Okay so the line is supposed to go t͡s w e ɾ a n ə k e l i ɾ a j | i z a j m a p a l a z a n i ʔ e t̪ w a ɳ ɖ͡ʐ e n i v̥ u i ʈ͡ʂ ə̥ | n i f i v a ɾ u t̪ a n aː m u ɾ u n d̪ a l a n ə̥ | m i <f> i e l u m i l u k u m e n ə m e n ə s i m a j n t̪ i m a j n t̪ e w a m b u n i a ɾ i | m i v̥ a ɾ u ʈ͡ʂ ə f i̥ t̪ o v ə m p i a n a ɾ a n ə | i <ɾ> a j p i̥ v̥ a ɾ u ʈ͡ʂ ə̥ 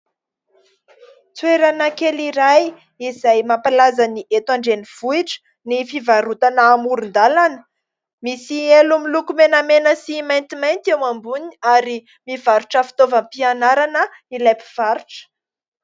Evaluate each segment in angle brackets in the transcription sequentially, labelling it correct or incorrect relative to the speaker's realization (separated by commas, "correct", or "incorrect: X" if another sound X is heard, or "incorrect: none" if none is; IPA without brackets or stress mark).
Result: incorrect: s, incorrect: l